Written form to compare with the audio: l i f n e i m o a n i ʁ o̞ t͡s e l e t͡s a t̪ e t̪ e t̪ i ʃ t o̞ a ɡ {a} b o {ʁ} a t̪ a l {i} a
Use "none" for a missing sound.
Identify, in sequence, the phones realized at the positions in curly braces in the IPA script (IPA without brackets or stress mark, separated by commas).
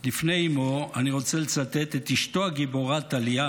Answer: i, ʁ, i